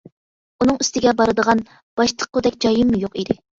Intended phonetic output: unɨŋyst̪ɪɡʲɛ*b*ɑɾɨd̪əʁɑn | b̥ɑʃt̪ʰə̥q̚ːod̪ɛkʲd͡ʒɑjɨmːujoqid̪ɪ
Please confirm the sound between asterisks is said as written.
yes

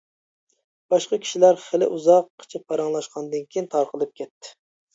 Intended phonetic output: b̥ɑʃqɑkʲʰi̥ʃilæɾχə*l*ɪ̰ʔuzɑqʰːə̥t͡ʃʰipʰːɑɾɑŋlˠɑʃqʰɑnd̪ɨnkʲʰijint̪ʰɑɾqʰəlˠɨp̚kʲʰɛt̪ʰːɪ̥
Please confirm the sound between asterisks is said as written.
yes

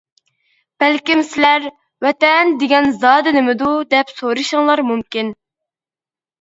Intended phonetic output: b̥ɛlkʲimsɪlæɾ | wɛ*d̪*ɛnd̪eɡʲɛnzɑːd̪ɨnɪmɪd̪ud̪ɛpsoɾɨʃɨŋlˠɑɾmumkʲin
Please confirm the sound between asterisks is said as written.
no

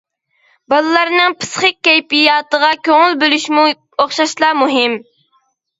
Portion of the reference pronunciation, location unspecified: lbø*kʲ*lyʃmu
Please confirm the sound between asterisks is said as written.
no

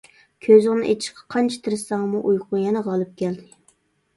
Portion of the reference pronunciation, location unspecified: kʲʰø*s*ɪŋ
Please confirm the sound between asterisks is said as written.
no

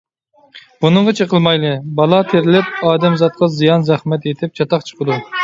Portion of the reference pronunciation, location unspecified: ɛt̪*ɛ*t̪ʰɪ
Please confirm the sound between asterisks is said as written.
no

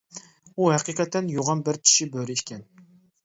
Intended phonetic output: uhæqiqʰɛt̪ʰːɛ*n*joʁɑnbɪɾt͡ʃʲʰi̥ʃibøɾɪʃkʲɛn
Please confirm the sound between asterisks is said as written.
yes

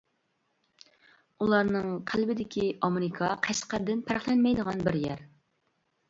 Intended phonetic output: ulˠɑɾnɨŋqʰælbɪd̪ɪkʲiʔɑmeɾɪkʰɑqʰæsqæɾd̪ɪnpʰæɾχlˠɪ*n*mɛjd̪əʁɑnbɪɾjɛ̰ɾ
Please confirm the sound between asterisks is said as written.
yes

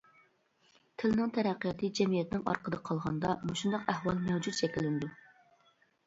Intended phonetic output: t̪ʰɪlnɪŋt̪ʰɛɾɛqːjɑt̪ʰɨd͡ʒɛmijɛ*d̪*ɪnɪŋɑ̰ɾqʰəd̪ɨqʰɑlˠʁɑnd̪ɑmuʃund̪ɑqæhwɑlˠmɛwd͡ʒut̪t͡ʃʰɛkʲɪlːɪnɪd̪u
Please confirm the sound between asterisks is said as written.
no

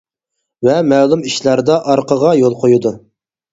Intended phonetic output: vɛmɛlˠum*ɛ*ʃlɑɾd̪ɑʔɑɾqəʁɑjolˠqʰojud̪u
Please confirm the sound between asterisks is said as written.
no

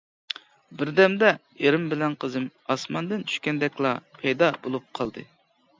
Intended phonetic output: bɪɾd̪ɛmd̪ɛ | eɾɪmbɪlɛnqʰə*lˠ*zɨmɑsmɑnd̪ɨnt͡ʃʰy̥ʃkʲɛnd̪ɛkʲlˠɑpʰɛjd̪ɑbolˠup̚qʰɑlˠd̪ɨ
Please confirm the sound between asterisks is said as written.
no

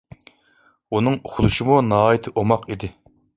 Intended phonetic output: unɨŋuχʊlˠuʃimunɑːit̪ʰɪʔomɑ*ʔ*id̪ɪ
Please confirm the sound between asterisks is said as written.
no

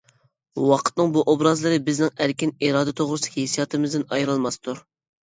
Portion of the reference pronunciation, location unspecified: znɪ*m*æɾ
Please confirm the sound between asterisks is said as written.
no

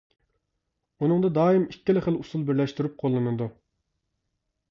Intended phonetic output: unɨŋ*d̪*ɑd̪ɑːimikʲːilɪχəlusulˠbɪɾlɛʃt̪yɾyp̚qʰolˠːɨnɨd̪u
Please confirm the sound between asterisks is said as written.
yes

